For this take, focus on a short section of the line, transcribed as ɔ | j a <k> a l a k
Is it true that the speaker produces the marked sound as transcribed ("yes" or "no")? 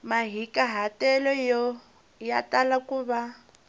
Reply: no